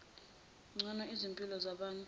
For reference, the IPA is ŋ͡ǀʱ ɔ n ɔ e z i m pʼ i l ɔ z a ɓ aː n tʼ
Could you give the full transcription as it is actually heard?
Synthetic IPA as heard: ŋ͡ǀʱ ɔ n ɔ i z i m pʼ i l ɔ z a ɓ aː n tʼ